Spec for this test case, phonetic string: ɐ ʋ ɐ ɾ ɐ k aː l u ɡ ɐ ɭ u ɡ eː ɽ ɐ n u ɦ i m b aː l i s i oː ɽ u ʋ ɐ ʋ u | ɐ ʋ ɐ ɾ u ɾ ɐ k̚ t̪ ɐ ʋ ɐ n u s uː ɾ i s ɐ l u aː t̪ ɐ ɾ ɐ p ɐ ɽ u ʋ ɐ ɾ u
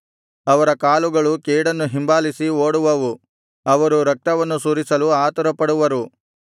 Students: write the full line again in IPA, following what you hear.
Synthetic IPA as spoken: ɐ ʋ ɐ ɾ ɐ k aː l u ɡ ɐ ɭ u k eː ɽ ɐ nː u ɦ i m b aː l i s i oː ɽ u ʋ ɐ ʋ u | ɐ ʋ ɐ ɾ u ɾ ɐ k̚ t̪ ɐ ʋ ɐ nː u s uː ɾ i s ɐ l u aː t̪ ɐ ɾ ɐ p ɐ ɽ u ʋ ɐ ɾ u